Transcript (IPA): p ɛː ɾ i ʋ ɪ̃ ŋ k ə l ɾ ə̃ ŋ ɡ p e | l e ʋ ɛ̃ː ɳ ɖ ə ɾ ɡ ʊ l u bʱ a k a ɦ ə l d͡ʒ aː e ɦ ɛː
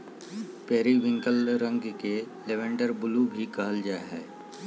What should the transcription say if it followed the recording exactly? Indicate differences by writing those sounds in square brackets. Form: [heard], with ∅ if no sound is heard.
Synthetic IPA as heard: p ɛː ɾ i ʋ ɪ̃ ŋ k ə l ɾ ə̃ ŋ ɡ [k] e | l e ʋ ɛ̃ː ɳ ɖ ə ɾ [b] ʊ l u bʱ [i] k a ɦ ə l d͡ʒ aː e ɦ ɛː